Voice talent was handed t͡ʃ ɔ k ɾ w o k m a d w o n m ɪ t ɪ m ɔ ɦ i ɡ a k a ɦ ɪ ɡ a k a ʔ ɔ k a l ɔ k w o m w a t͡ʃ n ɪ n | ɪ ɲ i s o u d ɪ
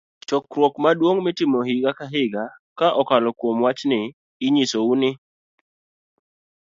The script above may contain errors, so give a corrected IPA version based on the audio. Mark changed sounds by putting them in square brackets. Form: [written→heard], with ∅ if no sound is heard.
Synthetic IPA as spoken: t͡ʃ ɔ k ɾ w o k m a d w o [n→ŋ] m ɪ t ɪ m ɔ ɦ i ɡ a k a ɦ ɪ ɡ a k a ʔ ɔ k a l ɔ k w o m w a t͡ʃ n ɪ [n→∅] | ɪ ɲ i s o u [d→n] ɪ